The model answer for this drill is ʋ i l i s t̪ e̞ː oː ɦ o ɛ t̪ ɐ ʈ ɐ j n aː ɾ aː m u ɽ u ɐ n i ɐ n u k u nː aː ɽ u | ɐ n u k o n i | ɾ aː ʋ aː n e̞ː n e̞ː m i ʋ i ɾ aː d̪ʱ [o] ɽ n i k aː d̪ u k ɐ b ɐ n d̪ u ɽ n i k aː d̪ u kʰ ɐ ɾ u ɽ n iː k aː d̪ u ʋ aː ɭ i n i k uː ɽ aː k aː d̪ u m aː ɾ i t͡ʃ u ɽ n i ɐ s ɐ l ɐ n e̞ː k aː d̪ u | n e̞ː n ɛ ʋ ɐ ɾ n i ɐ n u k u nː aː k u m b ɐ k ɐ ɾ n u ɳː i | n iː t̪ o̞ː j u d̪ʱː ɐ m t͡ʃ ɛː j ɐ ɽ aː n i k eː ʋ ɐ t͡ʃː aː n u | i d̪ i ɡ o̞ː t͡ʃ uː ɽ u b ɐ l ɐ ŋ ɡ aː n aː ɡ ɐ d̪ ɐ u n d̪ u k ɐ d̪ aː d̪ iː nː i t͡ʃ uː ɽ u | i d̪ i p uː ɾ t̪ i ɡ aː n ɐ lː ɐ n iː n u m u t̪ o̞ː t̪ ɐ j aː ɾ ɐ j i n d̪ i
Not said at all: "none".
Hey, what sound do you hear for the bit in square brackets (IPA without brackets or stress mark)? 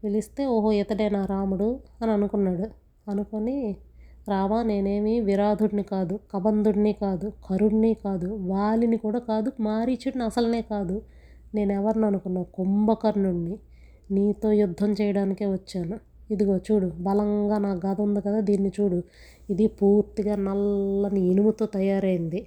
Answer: u